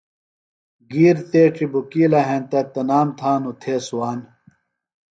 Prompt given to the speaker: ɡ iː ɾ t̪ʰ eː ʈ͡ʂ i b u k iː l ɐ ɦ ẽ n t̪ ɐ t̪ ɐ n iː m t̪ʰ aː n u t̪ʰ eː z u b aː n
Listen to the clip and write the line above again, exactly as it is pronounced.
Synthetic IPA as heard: ɡ iː ɾ t̪ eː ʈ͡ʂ i b u k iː l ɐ ɦ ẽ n t̪ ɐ t̪ ɐ n aː m t̪ʰ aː n u t̪ʰ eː s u w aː n